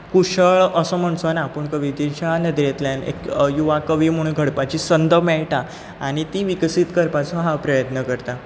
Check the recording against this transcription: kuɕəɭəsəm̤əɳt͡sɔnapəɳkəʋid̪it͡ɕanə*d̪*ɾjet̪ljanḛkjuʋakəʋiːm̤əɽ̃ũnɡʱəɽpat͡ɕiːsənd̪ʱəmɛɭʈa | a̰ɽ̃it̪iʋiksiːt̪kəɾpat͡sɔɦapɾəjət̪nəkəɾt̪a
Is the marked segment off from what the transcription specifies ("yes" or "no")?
no